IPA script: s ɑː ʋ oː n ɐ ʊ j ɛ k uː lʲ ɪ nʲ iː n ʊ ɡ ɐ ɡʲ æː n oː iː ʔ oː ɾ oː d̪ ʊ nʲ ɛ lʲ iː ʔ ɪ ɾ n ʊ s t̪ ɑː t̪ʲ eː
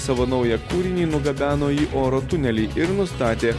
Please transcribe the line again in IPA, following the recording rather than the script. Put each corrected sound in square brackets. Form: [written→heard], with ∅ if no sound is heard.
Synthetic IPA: s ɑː ʋ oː n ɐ ʊ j ɛ k uː [lʲ→ɾʲ] ɪ nʲ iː n ʊ ɡ ɐ [ɡʲ→bʲ] æː n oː iː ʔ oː ɾ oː [d̪→t̪] ʊ nʲ ɛ lʲ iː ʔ ɪ ɾ n ʊ s t̪ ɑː t̪ʲ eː

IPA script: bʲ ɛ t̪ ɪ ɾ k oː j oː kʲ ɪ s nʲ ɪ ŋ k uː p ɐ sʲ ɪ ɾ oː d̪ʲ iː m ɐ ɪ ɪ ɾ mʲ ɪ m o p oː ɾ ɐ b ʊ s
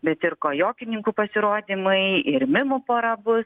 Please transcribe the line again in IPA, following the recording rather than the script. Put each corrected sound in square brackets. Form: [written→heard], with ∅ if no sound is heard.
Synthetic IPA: bʲ ɛ t̪ ɪ ɾ k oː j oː kʲ ɪ [s→∅] nʲ ɪ ŋ k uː p ɐ sʲ ɪ ɾ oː d̪ʲ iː m ɐ ɪ ɪ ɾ mʲ ɪ m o p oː ɾ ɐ b ʊ s

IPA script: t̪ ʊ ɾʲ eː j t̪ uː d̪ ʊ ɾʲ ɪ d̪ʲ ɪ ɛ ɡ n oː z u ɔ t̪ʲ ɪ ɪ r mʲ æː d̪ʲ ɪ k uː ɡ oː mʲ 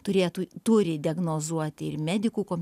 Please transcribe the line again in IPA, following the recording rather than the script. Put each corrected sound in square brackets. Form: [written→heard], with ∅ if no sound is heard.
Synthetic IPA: t̪ ʊ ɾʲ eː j t̪ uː [d̪→t̪] ʊ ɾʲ ɪ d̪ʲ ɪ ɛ ɡ n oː z u ɔ t̪ʲ ɪ ɪ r mʲ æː d̪ʲ ɪ k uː [ɡ→k] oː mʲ

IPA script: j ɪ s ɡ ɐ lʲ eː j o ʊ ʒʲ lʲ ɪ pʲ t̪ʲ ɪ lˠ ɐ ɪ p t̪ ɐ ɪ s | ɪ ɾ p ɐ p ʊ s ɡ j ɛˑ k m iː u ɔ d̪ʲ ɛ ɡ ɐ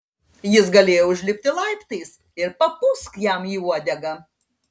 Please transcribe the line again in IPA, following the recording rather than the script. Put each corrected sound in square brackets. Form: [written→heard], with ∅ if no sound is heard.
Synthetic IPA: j ɪ s ɡ ɐ lʲ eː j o ʊ ʒʲ lʲ ɪ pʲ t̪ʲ ɪ lˠ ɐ ɪ p t̪ ɐ ɪ s | ɪ ɾ p ɐ p ʊ s [ɡ→k] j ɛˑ [k→∅] m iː u ɔ d̪ʲ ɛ ɡ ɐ

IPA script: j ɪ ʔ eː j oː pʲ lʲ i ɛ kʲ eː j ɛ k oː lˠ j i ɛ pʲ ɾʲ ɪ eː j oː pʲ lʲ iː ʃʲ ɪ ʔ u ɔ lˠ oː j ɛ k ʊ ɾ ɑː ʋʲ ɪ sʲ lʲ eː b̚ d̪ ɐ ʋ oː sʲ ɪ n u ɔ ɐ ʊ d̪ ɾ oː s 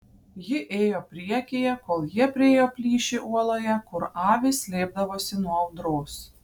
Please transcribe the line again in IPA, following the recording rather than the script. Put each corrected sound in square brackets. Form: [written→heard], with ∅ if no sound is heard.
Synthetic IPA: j ɪ ʔ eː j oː pʲ [lʲ→ɾʲ] i ɛ kʲ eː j ɛ k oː lˠ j i ɛ pʲ ɾʲ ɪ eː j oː pʲ lʲ iː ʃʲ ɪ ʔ u ɔ lˠ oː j ɛ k ʊ ɾ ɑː ʋʲ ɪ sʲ lʲ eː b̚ d̪ ɐ ʋ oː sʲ ɪ n u ɔ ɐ ʊ d̪ ɾ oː s

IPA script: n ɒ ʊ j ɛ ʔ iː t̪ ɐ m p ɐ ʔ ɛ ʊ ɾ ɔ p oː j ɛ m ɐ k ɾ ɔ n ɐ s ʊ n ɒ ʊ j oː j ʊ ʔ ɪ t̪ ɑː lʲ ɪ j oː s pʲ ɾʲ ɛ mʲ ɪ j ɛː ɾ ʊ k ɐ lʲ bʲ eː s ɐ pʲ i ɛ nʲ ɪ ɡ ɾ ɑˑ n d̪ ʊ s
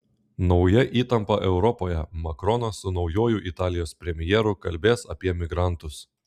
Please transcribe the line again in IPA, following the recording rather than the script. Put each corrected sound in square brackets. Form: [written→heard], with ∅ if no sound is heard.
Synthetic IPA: n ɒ ʊ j ɛ ʔ iː t̪ ɐ m p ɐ ʔ ɛ ʊ ɾ ɔ p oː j ɛ m ɐ k ɾ ɔ n ɐ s ʊ n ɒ ʊ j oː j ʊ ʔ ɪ t̪ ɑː lʲ ɪ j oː s pʲ ɾʲ ɛ mʲ ɪ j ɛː ɾ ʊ k ɐ lʲ bʲ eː s ɐ pʲ i ɛ [nʲ→mʲ] ɪ ɡ ɾ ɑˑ n [d̪→t̪] ʊ s

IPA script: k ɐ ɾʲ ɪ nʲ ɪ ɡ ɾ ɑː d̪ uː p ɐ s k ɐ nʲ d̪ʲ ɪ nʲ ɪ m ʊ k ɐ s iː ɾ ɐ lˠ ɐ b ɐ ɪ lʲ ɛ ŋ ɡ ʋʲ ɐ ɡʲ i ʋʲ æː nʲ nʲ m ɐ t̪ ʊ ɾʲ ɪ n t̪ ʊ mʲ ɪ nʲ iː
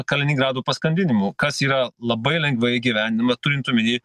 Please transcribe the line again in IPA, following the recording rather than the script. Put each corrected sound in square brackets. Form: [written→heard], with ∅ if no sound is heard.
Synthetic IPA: k ɐ [ɾʲ→lʲ] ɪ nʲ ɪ ɡ ɾ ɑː d̪ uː p ɐ s k ɐ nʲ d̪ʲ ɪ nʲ ɪ m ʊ k ɐ s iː ɾ ɐ lˠ ɐ b ɐ ɪ lʲ ɛ ŋ ɡ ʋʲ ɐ ɡʲ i ʋʲ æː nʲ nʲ m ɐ t̪ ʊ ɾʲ ɪ n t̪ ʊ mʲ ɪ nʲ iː

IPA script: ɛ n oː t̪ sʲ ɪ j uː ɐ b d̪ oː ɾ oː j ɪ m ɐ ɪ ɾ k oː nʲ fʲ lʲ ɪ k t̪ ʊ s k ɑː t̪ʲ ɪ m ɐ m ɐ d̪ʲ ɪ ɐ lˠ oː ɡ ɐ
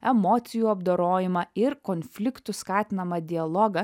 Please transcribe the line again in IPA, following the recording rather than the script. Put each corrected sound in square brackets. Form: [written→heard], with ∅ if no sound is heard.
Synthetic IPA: ɛ [n→m] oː t̪ sʲ ɪ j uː ɐ b d̪ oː ɾ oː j ɪ m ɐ ɪ ɾ k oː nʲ fʲ lʲ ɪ k t̪ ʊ s k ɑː t̪ʲ ɪ [m→n] ɐ m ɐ d̪ʲ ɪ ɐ lˠ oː ɡ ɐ

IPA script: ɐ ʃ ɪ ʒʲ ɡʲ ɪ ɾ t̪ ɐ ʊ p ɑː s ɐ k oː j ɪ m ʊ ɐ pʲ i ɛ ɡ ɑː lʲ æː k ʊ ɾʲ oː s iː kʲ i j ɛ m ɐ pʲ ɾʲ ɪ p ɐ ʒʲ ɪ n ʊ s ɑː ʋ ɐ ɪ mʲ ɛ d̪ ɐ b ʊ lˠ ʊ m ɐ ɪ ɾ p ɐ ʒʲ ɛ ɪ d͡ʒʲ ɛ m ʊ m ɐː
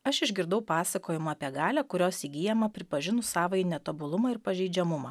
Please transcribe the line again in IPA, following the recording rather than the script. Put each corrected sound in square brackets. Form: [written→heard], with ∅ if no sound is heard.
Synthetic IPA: ɐ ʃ ɪ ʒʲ ɡʲ ɪ ɾ [t̪→d̪] ɐ ʊ p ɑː s ɐ k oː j ɪ m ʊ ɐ pʲ i ɛ ɡ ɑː lʲ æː k ʊ ɾʲ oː s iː [kʲ→ɡʲ] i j ɛ m ɐ pʲ ɾʲ ɪ p ɐ ʒʲ ɪ n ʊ s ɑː ʋ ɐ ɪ [mʲ→nʲ] ɛ [d̪→t̪] ɐ b ʊ lˠ ʊ m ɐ ɪ ɾ p ɐ ʒʲ ɛ ɪ d͡ʒʲ ɛ m ʊ m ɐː

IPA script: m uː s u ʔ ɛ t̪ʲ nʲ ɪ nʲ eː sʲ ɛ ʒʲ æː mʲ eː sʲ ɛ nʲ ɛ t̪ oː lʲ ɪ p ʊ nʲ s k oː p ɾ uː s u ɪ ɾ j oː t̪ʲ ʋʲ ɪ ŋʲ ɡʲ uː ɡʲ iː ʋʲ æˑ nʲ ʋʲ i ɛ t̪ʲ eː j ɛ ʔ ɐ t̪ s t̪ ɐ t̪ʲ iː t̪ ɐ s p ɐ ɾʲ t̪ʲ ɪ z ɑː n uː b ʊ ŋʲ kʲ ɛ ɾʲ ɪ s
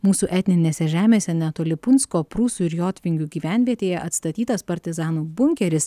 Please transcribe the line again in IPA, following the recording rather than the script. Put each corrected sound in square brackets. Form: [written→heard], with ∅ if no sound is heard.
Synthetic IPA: m uː s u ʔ ɛ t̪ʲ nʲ ɪ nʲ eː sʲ ɛ ʒʲ æː mʲ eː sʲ ɛ nʲ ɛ t̪ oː lʲ ɪ p ʊ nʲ s k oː p ɾ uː s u ɪ ɾ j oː t̪ʲ ʋʲ ɪ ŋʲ ɡʲ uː ɡʲ iː ʋʲ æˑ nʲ ʋʲ i ɛ t̪ʲ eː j ɛ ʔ ɐ t̪ s t̪ ɐ t̪ʲ iː t̪ ɐ s p ɐ ɾʲ t̪ʲ ɪ z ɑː n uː b ʊ ŋʲ kʲ ɛ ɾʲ ɪ s

